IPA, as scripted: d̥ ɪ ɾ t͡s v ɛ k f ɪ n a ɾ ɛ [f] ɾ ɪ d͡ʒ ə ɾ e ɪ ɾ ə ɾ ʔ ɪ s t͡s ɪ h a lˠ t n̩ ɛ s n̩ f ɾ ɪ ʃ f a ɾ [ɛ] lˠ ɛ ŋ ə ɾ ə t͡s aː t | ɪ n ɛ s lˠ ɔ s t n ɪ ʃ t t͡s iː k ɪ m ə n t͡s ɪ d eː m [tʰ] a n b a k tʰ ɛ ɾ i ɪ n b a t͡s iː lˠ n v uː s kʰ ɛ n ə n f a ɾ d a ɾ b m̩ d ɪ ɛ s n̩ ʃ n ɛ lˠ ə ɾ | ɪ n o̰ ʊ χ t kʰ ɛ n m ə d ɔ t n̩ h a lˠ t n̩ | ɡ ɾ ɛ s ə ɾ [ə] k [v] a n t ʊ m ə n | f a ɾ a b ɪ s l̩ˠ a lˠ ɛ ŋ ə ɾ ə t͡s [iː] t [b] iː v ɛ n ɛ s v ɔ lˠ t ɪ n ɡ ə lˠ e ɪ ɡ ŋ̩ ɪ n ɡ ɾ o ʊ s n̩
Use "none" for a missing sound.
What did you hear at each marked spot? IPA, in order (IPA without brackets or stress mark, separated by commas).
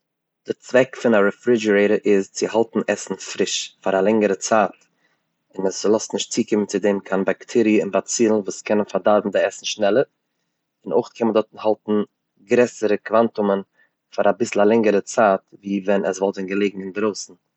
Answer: f, a, kʰ, ə, v, aː, v